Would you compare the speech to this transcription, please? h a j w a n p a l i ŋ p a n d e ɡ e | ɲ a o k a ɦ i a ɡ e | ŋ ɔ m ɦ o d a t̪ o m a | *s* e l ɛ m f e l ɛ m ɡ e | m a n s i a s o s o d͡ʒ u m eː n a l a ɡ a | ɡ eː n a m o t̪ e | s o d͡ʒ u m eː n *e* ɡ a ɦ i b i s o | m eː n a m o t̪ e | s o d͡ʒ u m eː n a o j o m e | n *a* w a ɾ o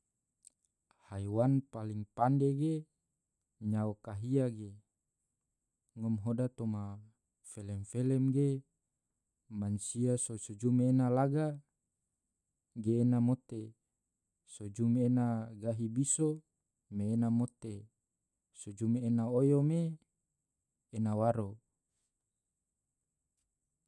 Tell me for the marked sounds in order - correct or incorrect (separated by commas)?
incorrect, incorrect, correct